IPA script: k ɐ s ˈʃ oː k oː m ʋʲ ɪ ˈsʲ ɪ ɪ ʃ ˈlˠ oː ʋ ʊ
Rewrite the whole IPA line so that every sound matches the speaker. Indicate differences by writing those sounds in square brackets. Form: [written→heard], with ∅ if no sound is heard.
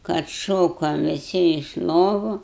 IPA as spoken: k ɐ [s→t] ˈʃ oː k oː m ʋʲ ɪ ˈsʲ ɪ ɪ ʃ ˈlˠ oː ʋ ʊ